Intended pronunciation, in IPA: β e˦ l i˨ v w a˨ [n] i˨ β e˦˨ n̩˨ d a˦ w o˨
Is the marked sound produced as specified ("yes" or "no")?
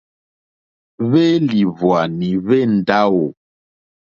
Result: yes